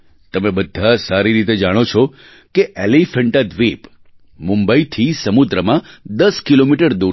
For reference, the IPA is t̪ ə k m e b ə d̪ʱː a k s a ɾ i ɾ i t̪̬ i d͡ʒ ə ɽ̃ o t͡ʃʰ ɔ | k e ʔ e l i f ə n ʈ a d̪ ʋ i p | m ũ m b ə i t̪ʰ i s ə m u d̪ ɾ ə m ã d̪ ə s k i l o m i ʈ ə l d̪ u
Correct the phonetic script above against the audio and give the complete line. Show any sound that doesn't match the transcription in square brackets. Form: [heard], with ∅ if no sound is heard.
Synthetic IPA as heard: t̪ ə [∅] m e b ə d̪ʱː a [∅] s a ɾ i ɾ i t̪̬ [e] d͡ʒ [a] ɽ̃ o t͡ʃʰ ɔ | k e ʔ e l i f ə [ɳ] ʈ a d̪ ʋ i p | m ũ m b ə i t̪ʰ i s ə m u d̪ ɾ ə m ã d̪ ə s k i l o m i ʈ ə [ɾ] d̪ u